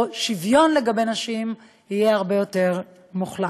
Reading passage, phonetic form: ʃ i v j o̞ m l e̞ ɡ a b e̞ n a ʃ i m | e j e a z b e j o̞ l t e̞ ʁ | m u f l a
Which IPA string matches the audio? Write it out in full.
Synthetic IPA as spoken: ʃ i v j o̞ n l e̞ ɡ a b e̞ n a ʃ i m | i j e a ʁ b e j o̞ t e̞ ʁ | m u χ l a